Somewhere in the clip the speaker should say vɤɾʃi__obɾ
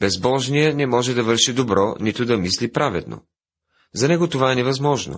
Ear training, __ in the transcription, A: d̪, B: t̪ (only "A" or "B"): A